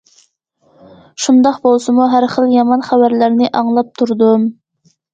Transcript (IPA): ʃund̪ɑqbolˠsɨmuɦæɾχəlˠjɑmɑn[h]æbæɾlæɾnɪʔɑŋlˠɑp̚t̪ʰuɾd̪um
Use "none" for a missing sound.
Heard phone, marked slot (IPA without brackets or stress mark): χ